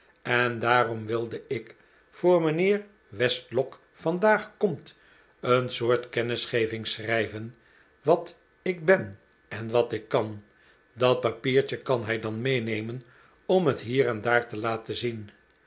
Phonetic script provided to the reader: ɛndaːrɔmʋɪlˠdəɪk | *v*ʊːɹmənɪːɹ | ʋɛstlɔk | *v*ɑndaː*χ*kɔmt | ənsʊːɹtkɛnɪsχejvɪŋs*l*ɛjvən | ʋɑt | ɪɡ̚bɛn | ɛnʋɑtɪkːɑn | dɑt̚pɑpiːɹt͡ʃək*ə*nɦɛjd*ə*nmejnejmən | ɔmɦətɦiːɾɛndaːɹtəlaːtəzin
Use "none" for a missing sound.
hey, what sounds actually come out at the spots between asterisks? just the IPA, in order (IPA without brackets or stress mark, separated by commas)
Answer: f, f, χ, r, ɑ, ɑ